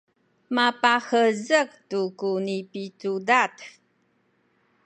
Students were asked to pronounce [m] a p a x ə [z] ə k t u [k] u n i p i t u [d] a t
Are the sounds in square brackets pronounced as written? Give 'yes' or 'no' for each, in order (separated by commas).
yes, yes, yes, yes